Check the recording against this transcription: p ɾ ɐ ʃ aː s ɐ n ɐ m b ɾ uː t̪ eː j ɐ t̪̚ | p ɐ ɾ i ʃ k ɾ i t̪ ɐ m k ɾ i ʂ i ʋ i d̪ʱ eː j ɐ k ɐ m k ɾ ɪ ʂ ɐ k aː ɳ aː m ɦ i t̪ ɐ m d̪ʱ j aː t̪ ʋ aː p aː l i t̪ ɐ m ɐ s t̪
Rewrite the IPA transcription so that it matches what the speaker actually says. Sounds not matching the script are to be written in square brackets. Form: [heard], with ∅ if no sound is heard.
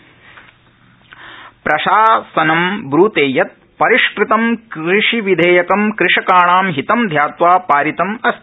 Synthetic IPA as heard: p ɾ ɐ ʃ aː s ɐ n ɐ m b ɾ uː t̪ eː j ɐ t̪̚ | p ɐ ɾ i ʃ k ɾ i t̪ ɐ m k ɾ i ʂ i ʋ i d̪ʱ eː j ɐ k ɐ m k ɾ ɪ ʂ ɐ k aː ɳ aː m ɦ i t̪ ɐ m d̪ʱ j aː t̪ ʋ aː p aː [ɾ] i t̪ ɐ m ɐ s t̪